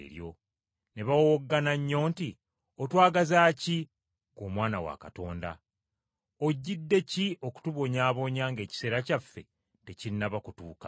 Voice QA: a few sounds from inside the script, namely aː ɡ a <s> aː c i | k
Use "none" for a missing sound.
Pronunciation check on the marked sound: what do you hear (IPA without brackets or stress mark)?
z